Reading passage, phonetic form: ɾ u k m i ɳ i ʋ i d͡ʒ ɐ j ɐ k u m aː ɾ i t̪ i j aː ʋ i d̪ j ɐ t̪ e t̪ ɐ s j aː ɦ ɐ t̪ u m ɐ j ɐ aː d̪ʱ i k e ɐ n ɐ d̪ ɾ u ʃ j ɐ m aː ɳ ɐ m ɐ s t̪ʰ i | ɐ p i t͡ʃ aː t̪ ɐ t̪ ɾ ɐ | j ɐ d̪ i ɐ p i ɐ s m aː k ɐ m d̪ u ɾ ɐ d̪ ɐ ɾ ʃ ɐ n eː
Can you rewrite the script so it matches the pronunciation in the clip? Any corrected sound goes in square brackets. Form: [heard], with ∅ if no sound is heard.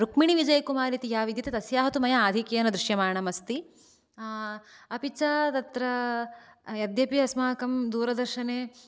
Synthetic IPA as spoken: ɾ u k m i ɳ i ʋ i d͡ʒ ɐ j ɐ k u m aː ɾ i t̪ i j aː ʋ i d̪ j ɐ t̪ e t̪ ɐ s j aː ɦ ɐ t̪ u m ɐ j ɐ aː d̪ʱ i k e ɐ n ɐ d̪ ɾ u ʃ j ɐ m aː ɳ ɐ m ɐ s [t̪] i | ɐ p i t͡ʃ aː t̪ ɐ t̪ ɾ ɐ | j ɐ d̪ [j] ɐ p i ɐ s m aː k ɐ m d̪ [uː] ɾ ɐ d̪ ɐ ɾ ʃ ɐ n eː

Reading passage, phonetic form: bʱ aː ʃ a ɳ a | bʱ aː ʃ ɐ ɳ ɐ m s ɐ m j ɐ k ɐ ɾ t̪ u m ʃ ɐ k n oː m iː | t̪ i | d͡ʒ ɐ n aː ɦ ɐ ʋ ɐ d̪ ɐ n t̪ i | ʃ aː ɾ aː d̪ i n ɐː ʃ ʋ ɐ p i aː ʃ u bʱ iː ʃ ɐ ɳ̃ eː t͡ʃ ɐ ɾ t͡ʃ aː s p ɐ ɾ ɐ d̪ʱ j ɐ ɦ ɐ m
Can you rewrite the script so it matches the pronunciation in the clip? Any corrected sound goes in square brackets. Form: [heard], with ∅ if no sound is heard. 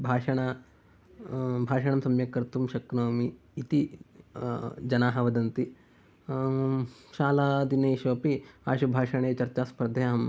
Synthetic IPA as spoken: bʱ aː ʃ [ɐ] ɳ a | bʱ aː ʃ ɐ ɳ ɐ m s ɐ m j ɐ k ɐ ɾ t̪ u m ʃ ɐ k n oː m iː | t̪ i | d͡ʒ ɐ n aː ɦ ɐ ʋ ɐ d̪ ɐ n t̪ i | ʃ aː [l] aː d̪ i n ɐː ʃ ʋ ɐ p i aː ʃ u bʱ [aː] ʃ ɐ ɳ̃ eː t͡ʃ ɐ ɾ t͡ʃ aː s p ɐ ɾ ɐ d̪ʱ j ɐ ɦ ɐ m

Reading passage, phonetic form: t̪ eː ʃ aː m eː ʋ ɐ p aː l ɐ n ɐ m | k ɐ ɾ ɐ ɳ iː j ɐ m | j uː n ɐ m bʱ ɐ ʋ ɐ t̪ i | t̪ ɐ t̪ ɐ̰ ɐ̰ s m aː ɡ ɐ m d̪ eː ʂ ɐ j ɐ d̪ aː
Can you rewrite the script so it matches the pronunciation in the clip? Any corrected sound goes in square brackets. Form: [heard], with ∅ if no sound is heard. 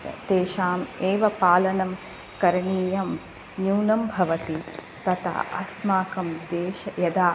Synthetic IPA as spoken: t̪ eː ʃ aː m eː ʋ ɐ p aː l ɐ n ɐ m | k ɐ ɾ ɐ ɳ iː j ɐ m | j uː n ɐ m bʱ ɐ ʋ ɐ t̪ i | t̪ ɐ t̪ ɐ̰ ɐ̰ s m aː [k] ɐ m d̪ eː [ʃ] ɐ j ɐ d̪ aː

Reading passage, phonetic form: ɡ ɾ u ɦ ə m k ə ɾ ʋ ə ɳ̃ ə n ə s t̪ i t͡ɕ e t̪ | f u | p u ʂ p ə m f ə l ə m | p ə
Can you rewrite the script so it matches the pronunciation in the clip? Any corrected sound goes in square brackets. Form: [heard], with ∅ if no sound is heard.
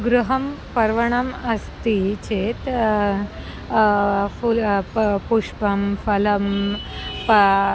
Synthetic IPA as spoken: ɡ ɾ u ɦ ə m [p] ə ɾ ʋ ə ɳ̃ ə [m] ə s t̪ i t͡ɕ e t̪ | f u | p u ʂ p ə m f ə l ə m | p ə

